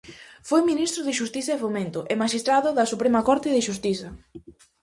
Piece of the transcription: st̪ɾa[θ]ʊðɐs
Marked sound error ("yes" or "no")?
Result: yes